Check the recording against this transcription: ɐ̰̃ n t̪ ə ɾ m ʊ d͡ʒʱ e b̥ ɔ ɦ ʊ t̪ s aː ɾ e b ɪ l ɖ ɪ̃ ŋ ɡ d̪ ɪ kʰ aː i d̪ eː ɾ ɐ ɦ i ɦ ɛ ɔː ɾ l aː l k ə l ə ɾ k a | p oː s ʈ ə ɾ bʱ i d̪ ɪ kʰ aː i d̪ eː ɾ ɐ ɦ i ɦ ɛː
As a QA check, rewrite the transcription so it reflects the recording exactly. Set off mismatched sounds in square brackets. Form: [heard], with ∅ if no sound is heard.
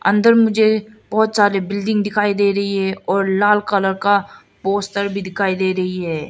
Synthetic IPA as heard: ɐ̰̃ n [d̪] ə ɾ m ʊ d͡ʒʱ e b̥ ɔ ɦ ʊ t̪ s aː ɾ e b ɪ l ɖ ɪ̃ ŋ ɡ d̪ ɪ kʰ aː i d̪ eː ɾ ɐ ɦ i ɦ ɛ ɔː ɾ l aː l k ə l ə ɾ k a | p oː s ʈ ə ɾ bʱ i d̪ ɪ kʰ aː i d̪ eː ɾ ɐ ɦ i ɦ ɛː